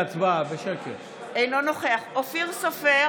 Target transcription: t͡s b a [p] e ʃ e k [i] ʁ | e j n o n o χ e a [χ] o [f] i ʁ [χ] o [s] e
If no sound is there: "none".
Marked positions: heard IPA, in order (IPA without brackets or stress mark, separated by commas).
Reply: b, e, χ, f, s, f